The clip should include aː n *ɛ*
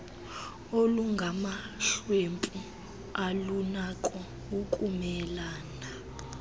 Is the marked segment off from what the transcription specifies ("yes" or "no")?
yes